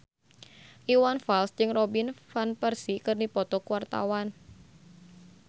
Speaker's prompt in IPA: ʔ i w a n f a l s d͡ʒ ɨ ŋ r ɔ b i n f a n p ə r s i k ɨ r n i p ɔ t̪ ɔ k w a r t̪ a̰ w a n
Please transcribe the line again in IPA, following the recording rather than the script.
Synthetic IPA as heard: ʔ i w a n f a l s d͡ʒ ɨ ŋ r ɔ b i n f a n p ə r s i k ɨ r n i p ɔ t̪ ɔ k w a r t̪ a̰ w a n